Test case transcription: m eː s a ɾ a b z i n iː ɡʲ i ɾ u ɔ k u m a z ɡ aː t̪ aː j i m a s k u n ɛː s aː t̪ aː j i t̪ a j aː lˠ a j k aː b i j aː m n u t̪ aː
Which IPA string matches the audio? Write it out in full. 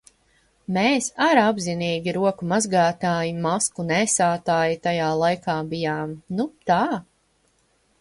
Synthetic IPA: m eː s a ɾ a b z i n iː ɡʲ i ɾ u ɔ k u m a z ɡ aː t̪ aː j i m a s k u n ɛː s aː t̪ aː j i t̪ a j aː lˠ a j k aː b i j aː m n u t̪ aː